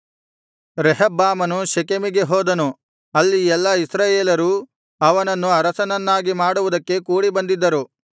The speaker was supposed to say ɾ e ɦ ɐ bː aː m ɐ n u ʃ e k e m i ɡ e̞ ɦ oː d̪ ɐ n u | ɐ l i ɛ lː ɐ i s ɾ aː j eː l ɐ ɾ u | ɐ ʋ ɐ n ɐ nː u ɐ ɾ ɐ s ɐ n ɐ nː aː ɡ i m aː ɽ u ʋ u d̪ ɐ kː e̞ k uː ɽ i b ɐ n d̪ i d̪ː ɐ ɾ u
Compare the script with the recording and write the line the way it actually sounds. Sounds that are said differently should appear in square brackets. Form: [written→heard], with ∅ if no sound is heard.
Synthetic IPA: ɾ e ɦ ɐ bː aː m ɐ n u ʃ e k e m i ɡ e̞ ɦ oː d̪ ɐ n u | ɐ [l→lː] i ɛ lː ɐ i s ɾ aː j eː l ɐ ɾ u | ɐ ʋ ɐ n ɐ nː u ɐ ɾ ɐ s ɐ n ɐ nː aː ɡ i m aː ɽ u ʋ u d̪ ɐ kː e̞ k uː ɽ i b ɐ n d̪ i d̪ː ɐ ɾ u